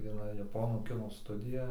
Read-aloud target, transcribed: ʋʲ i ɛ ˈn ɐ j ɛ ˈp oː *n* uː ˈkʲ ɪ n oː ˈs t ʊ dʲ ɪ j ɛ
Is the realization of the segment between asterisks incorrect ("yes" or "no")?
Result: no